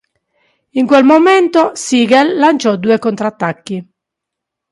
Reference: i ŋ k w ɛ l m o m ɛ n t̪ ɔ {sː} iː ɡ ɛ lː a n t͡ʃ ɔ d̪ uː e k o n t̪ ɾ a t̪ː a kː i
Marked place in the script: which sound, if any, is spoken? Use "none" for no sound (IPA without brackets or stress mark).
s